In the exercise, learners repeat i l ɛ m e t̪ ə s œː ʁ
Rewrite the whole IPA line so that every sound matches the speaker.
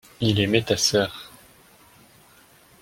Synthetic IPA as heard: i l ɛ m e t̪ a s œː ʁ